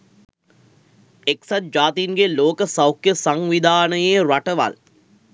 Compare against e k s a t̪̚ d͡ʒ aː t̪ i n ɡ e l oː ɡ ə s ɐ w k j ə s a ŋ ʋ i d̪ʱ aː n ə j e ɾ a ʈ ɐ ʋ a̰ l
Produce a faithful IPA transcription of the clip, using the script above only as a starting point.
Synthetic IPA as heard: e k s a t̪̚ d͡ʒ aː t̪ i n ɡ e l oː k ə s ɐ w k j ə s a ŋ ʋ i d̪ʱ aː n ə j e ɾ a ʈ ə ʋ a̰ l